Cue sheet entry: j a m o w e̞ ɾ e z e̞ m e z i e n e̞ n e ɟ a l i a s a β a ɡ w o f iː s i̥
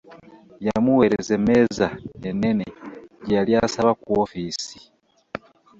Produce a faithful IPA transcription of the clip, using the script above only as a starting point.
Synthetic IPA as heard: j a m u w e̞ ɾ e z e̞ m e z a e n e̞ n e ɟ a l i a s a β a k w o f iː s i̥

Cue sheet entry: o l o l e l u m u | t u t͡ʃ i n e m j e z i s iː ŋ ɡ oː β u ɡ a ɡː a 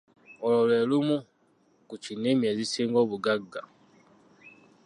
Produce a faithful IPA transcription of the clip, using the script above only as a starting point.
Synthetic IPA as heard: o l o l e l u m u | k u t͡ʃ i n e m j e z i s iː ŋ ɡ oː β u ɡ a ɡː a

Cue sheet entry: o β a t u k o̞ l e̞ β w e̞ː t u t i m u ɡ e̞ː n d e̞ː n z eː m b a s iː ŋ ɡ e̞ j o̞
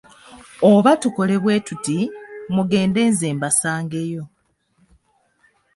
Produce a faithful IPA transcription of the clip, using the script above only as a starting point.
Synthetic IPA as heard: o β a t u k o̞ l e̞ β w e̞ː t u t i m u ɡ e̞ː n d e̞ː n z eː m b a s aː ŋ ɡ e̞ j o̞

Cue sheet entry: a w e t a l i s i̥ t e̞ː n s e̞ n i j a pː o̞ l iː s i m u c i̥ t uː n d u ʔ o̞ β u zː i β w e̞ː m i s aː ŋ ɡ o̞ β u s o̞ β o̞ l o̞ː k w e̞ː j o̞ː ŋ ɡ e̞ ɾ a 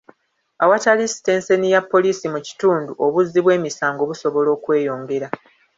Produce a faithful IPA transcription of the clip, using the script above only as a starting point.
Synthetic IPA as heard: a w a t a l i s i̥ t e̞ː n s e̞ n i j a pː o̞ l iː s i m u c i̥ t uː n d u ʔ o̞ β u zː i β w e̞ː m i s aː ŋ ɡ o̞ β u s o̞ β o̞ l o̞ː k w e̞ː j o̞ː ŋ ɡ e̞ ɾ a

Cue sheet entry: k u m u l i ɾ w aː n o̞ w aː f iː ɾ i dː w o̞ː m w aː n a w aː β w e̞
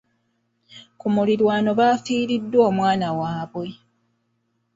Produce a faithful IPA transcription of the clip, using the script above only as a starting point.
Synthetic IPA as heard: k u m u l i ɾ w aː n o̞ β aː f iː ɾ i dː w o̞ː m w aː n a w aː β w e̞

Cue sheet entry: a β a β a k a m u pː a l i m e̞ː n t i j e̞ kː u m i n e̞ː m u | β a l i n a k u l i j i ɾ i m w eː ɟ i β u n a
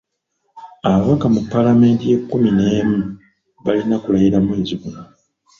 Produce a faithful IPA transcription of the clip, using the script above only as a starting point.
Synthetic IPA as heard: a β a β a k a m u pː a l a m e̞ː n t i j e̞ kː u m i n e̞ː m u | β a l i n a k u l a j i ɾ a m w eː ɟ i β u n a

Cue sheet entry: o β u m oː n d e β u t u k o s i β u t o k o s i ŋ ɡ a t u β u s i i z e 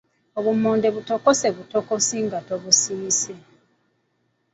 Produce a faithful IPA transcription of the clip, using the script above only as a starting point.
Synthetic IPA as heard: o β u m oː n d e β u t o k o s e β u t o k o s i ŋ ɡ a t o β u s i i s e

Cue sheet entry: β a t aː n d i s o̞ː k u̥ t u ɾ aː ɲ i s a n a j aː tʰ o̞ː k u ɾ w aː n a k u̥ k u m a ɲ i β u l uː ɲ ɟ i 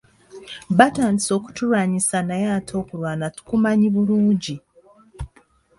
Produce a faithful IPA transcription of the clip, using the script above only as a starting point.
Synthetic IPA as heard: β a t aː n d i s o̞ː k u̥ t u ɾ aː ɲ i s a n a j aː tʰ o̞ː k u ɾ w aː n a t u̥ k u m a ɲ i β u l uː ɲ ɟ i

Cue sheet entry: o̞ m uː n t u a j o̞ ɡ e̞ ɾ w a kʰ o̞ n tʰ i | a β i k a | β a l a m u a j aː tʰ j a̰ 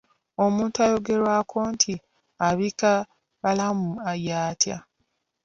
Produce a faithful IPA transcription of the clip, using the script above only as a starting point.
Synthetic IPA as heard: o̞ m uː n t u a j o̞ ɡ e̞ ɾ w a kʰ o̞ n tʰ i | a β i k a | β a l a m u a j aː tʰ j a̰

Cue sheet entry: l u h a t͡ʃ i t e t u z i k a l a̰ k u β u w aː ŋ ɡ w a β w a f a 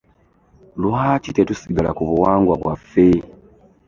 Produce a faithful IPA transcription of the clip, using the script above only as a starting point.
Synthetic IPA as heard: l u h a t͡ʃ i t e t u s i ɡ a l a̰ k u β u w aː ŋ ɡ w a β w a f e

